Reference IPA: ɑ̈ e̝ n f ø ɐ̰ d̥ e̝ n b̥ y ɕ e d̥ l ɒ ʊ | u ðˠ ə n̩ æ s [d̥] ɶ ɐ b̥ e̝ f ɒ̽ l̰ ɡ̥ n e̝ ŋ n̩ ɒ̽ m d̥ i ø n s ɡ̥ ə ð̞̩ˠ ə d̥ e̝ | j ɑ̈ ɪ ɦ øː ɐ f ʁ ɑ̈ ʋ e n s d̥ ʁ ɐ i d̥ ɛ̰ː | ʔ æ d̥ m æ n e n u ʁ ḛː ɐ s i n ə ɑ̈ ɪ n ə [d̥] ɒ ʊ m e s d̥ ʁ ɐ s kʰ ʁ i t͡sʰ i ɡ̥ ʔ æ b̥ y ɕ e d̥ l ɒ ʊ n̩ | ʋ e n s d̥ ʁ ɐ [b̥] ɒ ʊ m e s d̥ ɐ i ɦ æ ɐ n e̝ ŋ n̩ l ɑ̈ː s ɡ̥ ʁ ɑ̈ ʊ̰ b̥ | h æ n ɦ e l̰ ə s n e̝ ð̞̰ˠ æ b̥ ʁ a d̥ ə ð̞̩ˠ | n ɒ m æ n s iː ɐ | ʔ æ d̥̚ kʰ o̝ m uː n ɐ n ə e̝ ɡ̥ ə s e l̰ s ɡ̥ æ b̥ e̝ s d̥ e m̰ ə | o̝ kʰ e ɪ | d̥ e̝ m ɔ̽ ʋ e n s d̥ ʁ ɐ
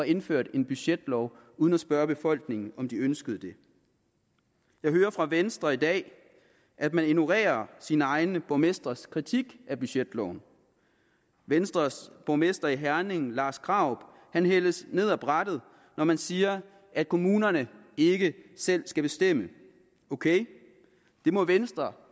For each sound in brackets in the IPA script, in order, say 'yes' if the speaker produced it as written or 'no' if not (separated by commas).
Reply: no, no, yes